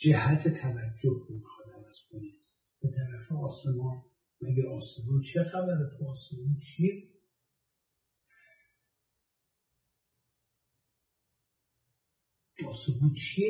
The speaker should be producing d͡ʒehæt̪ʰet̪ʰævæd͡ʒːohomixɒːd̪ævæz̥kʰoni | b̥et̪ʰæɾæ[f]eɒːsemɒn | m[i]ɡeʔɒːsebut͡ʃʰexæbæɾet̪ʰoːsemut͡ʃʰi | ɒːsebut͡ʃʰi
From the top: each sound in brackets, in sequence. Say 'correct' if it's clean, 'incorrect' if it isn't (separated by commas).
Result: correct, incorrect